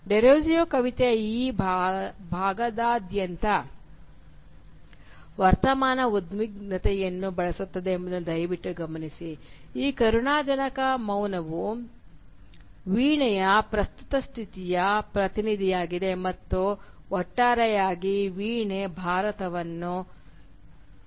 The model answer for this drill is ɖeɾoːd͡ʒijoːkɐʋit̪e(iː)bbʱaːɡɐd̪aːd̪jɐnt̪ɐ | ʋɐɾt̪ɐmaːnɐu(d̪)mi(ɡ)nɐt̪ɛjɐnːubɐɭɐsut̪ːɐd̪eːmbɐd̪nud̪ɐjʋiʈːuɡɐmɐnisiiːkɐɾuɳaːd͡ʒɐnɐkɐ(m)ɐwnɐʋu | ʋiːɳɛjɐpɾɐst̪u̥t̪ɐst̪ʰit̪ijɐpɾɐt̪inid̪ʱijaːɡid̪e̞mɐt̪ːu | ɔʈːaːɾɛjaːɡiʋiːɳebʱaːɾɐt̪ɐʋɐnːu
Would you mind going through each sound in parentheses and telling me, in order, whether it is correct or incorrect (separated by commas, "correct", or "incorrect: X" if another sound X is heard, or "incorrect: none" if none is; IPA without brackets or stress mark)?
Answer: correct, correct, correct, correct